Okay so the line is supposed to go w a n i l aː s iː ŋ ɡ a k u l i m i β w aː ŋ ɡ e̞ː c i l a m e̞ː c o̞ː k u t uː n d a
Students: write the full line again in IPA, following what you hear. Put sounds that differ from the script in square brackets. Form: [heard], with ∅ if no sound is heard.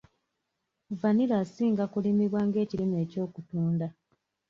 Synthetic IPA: [v] a n i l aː s iː ŋ ɡ a k u l i m i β w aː ŋ ɡ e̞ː c i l [i] m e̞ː c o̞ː k u t uː n d a